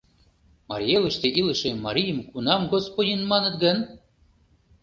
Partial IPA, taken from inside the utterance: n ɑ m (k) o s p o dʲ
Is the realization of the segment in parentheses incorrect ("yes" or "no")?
yes